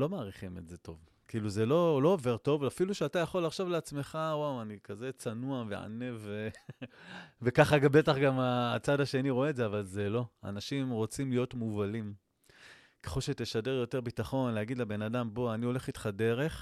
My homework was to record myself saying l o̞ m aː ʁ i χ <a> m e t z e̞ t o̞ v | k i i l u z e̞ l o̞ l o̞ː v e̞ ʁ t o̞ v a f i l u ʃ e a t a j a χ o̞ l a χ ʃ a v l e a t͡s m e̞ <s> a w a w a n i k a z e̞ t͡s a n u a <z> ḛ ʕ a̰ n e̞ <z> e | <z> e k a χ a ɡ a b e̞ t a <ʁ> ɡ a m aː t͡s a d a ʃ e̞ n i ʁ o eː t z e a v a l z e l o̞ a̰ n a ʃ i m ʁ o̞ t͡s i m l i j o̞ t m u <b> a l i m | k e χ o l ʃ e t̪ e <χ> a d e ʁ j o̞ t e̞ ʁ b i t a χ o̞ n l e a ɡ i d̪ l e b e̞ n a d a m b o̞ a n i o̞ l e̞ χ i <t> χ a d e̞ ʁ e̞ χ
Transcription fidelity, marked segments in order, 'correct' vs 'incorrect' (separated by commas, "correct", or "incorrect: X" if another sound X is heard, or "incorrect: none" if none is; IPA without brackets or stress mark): incorrect: i, incorrect: χ, incorrect: v, incorrect: v, incorrect: v, incorrect: χ, incorrect: v, incorrect: ʃ, correct